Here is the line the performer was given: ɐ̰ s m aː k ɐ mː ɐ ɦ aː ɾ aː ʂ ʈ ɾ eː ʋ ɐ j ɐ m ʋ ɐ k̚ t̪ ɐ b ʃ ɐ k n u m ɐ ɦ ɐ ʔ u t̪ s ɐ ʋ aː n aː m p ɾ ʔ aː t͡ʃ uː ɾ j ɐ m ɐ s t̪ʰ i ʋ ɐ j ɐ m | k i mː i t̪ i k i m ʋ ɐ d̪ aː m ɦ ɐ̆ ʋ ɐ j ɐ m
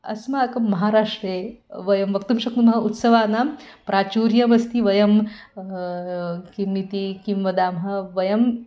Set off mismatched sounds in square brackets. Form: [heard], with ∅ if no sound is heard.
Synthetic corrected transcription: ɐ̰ s m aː k ɐ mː ɐ ɦ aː ɾ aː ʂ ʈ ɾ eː ʋ ɐ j ɐ m ʋ ɐ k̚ t̪ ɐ [m] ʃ ɐ k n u m ɐ ɦ ɐ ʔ u t̪ s ɐ ʋ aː n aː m p ɾ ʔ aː t͡ʃ uː ɾ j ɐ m ɐ s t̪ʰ i ʋ ɐ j ɐ m | k i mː i t̪ i k i m ʋ ɐ d̪ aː m ɦ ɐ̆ ʋ ɐ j ɐ m